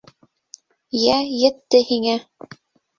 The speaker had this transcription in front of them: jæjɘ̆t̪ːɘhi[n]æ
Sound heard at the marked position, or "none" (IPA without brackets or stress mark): ŋ